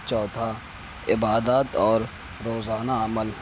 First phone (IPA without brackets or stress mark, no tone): t͡ʃ